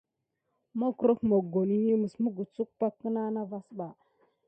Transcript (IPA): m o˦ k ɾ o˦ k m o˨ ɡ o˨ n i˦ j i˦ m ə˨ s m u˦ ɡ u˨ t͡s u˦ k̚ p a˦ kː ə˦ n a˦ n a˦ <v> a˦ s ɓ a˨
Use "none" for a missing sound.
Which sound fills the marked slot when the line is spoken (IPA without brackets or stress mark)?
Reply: v